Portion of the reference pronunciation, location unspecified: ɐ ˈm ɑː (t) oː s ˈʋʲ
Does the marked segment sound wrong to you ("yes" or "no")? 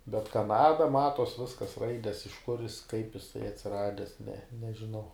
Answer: no